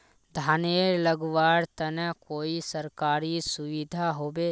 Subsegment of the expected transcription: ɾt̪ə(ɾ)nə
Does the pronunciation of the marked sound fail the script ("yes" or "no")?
yes